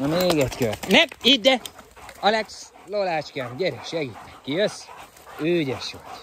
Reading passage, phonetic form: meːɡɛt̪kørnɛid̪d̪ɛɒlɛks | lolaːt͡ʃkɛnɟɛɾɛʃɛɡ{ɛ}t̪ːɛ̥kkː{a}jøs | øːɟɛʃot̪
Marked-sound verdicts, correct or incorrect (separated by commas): incorrect, incorrect